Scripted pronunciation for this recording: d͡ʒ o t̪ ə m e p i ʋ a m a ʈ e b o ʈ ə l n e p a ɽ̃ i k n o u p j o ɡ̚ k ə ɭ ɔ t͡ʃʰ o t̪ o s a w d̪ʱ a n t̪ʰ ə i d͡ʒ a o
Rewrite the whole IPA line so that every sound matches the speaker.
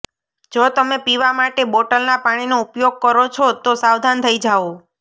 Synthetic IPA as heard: d͡ʒ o t̪ ə m e p i ʋ a m a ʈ e b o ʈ ə l n a p a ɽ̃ i n o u p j o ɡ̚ k ə ɾ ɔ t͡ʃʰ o t̪ o s a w d̪ʱ a n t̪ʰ ə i d͡ʒ a o

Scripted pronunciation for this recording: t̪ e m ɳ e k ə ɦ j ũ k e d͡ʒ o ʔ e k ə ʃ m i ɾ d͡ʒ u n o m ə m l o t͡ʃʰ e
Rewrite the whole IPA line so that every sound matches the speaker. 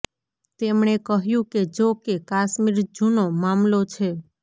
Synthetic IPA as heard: t̪ e m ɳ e k ə ɦ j ũ k e d͡ʒ o k e k a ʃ m i ɾ d͡ʒ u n o m a m l o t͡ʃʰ e

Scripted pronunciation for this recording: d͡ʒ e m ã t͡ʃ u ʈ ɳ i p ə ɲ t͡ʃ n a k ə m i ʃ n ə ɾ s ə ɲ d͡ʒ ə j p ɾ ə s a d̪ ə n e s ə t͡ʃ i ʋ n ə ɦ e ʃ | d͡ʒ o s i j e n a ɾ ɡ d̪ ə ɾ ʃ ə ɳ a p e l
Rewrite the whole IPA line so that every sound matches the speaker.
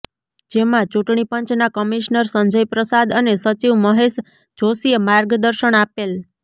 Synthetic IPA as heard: d͡ʒ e m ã t͡ʃ u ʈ ɳ i p ə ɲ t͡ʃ n a k ə m i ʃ n ə ɾ s ə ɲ d͡ʒ ə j p ɾ ə s a d̪ ə n e s ə t͡ʃ i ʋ m ə ɦ e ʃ | d͡ʒ o s i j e m a ɾ ɡ d̪ ə ɾ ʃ ə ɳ a p e l

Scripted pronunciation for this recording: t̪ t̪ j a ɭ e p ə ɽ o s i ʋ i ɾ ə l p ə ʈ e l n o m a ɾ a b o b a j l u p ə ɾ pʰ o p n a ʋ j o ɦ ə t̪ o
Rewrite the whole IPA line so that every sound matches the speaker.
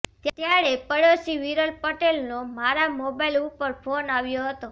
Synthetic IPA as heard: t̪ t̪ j a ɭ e p ə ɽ o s i ʋ i ɾ ə l p ə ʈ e l n o m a ɾ a m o b a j l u p ə ɾ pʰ o n a ʋ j o ɦ ə t̪ o

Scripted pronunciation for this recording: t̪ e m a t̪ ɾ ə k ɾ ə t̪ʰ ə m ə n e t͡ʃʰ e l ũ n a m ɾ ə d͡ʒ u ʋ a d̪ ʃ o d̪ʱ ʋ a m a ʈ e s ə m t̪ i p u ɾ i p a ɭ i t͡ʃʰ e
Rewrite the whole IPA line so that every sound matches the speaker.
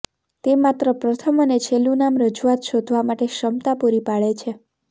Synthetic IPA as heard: t̪ e m a t̪ ɾ ə p ɾ ə t̪ʰ ə m ə n e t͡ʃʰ e l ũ n a m ɾ ə d͡ʒ u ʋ a t̪ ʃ o d̪ʱ ʋ a m a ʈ e ʃ ə m t̪ a p u ɾ i p a ɭ e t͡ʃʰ e

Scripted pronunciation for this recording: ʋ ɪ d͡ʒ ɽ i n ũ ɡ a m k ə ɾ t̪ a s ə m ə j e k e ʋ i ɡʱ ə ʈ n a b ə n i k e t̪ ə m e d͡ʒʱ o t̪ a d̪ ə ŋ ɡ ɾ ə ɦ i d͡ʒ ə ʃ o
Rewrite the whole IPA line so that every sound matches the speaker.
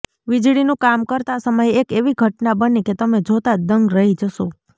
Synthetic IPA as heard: ʋ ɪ d͡ʒ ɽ i n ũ k a m k ə ɾ t̪ a s ə m ə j e k e ʋ i ɡʱ ə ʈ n a b ə n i k e t̪ ə m e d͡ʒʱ o t̪ a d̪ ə ŋ ɡ ɾ ə ɦ i d͡ʒ ə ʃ o

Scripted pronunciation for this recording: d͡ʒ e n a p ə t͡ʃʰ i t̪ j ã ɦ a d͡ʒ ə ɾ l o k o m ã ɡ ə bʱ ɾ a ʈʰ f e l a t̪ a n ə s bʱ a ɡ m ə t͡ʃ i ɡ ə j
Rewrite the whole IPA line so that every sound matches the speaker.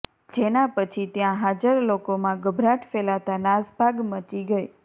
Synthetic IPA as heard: d͡ʒ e n a p ə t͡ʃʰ i t̪ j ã ɦ a d͡ʒ ə ɾ l o k o m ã ɡ ə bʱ ɾ a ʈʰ f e l a t̪ a n a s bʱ a ɡ m ə t͡ʃ i ɡ ə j

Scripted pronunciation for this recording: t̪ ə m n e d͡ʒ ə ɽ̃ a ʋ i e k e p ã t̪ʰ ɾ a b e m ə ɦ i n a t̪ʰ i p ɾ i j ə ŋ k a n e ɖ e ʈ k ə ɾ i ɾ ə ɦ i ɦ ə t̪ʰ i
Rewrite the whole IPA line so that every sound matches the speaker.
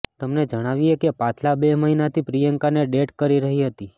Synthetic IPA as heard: t̪ ə m n e d͡ʒ ə ɽ̃ a ʋ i e k e p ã t̪ʰ l a b e m ə ɦ i n a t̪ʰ i p ɾ i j ə ŋ k a n e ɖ e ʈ k ə ɾ i ɾ ə ɦ i ɦ ə t̪ i

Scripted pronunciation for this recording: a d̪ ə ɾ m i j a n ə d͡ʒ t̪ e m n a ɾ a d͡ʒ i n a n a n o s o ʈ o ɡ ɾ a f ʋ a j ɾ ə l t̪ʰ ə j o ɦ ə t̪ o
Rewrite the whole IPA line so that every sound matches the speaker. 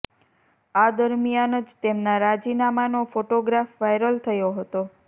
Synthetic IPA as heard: a d̪ ə ɾ m i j a n ə d͡ʒ t̪ e m n a ɾ a d͡ʒ i n a m a n o f o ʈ o ɡ ɾ a f ʋ a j ɾ ə l t̪ʰ ə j o ɦ ə t̪ o

